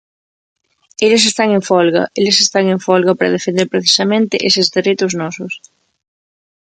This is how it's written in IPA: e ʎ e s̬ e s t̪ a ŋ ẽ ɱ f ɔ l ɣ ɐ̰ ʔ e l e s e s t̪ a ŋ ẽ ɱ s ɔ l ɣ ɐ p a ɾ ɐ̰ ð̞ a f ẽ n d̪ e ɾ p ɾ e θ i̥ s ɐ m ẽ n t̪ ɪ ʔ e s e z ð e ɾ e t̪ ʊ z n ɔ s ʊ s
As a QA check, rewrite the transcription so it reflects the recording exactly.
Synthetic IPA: e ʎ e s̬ e s t̪ a ŋ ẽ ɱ f ɔ l ɣ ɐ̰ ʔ e l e s e s t̪ a ŋ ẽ ɱ f ɔ l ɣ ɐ p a ɾ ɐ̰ ð̞ e f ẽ n d̪ e ɾ p ɾ e θ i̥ s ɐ m ẽ n t̪ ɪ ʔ e s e z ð e ɾ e t̪ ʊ z n ɔ s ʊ s